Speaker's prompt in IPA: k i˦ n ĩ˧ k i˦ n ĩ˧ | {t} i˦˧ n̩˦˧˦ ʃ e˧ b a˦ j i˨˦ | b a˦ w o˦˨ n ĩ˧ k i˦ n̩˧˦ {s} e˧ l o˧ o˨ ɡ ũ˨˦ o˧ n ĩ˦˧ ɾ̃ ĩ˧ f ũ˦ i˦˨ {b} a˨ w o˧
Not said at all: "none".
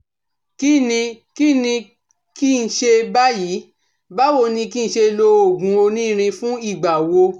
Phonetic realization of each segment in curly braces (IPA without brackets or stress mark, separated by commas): k, ʃ, ɡ͡b